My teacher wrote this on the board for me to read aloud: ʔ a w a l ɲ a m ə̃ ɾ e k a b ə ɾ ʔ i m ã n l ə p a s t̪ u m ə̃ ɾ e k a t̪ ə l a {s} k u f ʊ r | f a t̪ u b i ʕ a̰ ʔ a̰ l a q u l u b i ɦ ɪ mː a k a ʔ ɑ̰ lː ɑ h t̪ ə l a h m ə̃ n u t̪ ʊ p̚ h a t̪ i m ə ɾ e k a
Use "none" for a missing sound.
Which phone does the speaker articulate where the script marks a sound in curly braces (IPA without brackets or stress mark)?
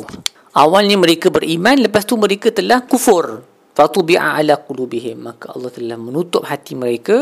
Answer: h